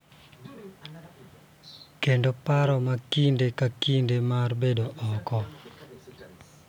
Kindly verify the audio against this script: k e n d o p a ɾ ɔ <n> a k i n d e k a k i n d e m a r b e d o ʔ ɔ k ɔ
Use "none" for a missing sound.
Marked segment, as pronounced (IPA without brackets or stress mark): m